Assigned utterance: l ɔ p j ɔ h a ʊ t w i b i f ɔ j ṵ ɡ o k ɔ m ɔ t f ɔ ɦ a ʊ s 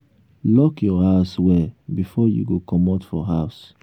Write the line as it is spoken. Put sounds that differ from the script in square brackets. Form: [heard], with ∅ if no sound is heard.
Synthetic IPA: l ɔ [k] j ɔ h a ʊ [s] w [ɛ] b i f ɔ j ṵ ɡ o k ɔ m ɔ t f ɔ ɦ a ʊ s